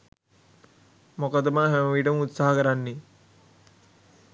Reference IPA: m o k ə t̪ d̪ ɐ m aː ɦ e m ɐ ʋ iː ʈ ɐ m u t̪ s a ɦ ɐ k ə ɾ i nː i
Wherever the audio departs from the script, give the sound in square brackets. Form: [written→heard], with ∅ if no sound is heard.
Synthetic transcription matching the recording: m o k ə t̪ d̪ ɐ m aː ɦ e m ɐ ʋ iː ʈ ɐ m u t̪ s a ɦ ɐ k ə ɾ [i→a] nː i